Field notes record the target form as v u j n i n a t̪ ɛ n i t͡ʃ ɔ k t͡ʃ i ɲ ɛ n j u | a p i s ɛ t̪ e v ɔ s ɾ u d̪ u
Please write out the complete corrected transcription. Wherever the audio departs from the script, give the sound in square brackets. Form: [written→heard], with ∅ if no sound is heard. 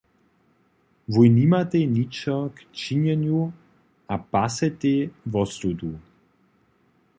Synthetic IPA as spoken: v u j n i [n→m] a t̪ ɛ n i t͡ʃ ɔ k t͡ʃ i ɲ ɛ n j u | a p [i→a] s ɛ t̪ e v ɔ s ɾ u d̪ u